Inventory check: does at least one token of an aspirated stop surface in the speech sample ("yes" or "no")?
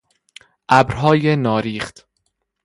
no